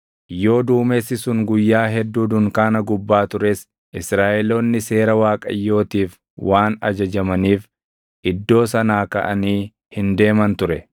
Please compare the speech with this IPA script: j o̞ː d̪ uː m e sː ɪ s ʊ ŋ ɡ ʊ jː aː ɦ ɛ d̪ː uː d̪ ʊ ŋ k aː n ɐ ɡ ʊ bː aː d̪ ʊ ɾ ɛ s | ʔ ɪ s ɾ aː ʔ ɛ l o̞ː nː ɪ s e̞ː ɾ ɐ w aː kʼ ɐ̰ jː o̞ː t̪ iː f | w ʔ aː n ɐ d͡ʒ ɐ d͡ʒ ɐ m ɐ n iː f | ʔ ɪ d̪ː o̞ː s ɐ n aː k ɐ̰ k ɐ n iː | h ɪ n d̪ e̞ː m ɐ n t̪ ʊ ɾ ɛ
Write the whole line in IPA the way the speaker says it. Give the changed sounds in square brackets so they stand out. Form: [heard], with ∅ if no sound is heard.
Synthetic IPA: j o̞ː d̪ uː m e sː ɪ s ʊ ŋ ɡ ʊ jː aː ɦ ɛ d̪ː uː d̪ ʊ ŋ k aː n ɐ ɡ ʊ bː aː [t̪] ʊ ɾ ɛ s | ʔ ɪ s ɾ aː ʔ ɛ l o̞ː nː ɪ s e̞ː ɾ ɐ w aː kʼ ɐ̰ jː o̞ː t̪ iː f | w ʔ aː n ɐ d͡ʒ ɐ d͡ʒ ɐ m ɐ n iː f | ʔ ɪ d̪ː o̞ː s ɐ n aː k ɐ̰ [ʔ] ɐ n iː | h ɪ n d̪ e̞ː m ɐ n t̪ ʊ ɾ ɛ